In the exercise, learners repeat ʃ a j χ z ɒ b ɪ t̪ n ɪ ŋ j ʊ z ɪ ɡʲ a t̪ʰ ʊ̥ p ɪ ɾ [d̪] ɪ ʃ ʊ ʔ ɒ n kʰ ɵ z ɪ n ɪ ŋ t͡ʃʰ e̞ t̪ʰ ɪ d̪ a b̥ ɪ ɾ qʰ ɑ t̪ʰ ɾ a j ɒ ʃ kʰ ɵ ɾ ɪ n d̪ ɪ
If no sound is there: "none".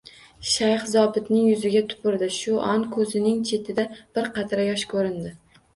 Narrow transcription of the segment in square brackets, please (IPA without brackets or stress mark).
d̪